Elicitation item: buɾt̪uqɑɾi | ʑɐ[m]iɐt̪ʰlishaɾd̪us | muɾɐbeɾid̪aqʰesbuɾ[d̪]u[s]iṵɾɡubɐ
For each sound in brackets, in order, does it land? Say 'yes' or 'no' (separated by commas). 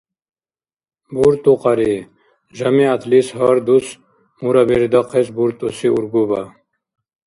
yes, no, yes